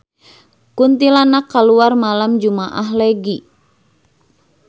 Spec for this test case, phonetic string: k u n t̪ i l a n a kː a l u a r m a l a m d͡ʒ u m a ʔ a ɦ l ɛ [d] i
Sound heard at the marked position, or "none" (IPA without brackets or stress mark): ɡ